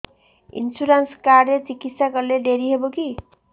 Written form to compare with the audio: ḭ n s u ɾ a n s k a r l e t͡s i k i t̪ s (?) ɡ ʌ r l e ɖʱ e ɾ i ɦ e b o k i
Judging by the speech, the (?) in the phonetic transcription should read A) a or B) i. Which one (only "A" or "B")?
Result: A